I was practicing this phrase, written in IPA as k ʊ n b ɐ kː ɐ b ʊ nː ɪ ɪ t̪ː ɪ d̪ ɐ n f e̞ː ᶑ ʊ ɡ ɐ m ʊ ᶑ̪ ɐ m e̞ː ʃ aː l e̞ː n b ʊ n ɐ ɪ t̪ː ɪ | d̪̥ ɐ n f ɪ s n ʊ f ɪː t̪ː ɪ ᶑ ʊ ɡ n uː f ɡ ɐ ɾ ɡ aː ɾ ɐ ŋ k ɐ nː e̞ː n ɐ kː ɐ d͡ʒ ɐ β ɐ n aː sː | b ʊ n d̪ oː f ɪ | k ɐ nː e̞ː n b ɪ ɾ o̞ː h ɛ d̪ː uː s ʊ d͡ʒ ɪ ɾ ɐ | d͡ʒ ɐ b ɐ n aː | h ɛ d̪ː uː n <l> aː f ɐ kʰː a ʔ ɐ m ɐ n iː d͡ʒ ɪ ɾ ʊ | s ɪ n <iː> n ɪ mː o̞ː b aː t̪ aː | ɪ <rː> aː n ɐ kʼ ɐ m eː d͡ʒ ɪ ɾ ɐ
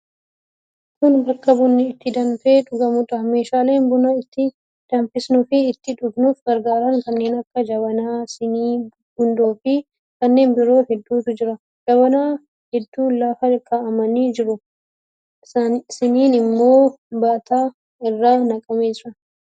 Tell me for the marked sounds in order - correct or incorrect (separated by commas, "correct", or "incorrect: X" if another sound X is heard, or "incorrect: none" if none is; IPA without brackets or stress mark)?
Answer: correct, correct, correct